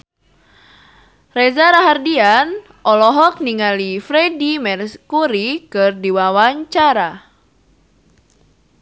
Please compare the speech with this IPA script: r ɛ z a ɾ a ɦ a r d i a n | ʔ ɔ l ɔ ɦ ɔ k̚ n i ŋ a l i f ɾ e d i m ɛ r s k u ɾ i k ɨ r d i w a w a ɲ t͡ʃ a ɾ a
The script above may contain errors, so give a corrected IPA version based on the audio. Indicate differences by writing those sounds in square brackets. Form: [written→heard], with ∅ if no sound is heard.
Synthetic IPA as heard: r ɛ z a ɾ a ɦ a r d i a n | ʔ ɔ l ɔ ɦ ɔ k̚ n i ŋ a l i f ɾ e d i m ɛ r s k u ɾ i k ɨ r d i w a w a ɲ t͡ʃ a ɾ a